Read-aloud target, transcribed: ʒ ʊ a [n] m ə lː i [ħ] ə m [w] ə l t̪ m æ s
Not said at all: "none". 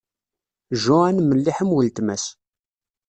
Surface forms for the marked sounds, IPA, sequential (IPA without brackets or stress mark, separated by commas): n, ħ, w